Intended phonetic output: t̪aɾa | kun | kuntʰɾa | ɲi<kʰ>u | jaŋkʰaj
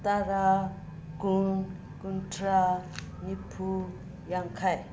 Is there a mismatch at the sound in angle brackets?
yes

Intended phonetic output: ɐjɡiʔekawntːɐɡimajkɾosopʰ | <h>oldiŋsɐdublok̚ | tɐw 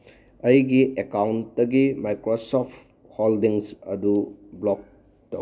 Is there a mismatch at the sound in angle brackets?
no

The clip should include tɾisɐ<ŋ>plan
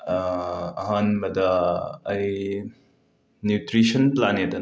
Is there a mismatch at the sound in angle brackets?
yes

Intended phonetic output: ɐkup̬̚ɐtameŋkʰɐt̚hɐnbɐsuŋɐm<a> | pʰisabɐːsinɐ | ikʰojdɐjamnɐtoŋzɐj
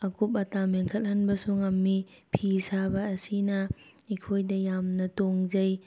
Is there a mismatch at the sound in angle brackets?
yes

